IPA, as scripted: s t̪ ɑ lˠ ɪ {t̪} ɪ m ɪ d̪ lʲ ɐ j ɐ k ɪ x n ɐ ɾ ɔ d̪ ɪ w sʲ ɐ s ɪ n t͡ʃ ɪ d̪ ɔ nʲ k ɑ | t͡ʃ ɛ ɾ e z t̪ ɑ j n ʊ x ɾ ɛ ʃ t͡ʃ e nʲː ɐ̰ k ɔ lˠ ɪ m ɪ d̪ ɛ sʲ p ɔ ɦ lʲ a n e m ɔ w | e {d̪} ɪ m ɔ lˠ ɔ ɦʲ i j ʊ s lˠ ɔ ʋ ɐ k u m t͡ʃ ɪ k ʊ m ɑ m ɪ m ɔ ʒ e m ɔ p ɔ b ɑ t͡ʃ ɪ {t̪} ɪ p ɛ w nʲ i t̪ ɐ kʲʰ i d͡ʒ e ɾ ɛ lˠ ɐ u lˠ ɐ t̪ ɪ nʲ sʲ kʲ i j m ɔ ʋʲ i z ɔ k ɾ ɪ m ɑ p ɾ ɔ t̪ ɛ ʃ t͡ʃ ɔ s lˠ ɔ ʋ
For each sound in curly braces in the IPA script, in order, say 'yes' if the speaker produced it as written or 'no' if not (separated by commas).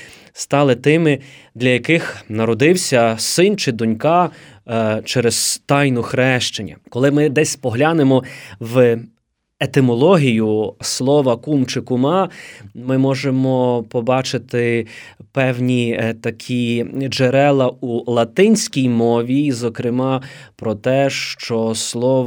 yes, no, yes